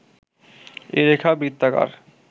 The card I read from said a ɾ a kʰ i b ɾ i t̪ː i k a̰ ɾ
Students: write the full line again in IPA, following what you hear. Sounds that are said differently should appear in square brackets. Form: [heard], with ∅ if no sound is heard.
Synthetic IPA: [e] ɾ [e] kʰ [a] b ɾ i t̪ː [a] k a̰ ɾ